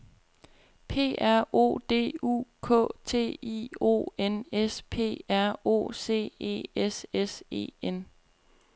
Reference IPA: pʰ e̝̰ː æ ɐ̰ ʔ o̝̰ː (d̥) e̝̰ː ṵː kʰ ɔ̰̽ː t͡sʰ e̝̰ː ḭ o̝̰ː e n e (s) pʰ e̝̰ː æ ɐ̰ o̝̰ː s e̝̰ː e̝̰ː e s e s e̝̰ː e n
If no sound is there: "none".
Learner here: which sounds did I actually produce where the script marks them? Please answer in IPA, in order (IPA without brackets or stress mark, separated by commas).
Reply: d̥, s